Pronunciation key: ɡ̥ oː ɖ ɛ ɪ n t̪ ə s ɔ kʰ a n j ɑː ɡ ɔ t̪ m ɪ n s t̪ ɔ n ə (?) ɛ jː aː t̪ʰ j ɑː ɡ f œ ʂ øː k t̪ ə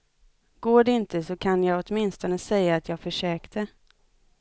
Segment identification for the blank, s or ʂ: s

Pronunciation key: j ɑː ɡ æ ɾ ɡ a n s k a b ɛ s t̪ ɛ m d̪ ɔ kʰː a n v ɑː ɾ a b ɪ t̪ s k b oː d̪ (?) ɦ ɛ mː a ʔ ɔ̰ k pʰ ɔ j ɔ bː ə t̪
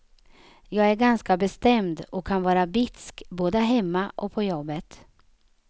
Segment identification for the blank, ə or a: ə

